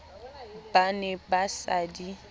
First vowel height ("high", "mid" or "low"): low